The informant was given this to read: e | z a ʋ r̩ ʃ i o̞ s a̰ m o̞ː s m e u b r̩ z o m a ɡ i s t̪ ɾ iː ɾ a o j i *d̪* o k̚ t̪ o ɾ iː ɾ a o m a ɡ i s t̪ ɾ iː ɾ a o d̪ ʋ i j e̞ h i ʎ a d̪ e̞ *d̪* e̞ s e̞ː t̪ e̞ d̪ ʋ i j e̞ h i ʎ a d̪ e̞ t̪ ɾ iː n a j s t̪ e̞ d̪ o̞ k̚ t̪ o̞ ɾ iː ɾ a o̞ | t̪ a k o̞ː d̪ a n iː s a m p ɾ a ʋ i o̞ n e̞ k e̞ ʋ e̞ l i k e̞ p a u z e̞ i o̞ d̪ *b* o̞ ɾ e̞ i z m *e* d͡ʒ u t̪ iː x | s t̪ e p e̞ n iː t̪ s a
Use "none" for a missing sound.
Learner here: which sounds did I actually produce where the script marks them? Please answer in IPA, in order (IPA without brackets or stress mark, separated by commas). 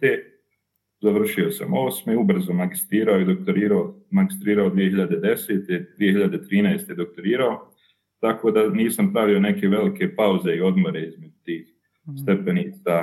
d̪, d̪, m, e